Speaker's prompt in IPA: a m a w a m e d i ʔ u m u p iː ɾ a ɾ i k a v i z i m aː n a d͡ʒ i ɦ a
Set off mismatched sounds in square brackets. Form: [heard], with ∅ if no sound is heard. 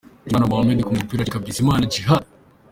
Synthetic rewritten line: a [n] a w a m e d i [k] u m u p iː ɾ a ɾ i k a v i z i m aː n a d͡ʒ i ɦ a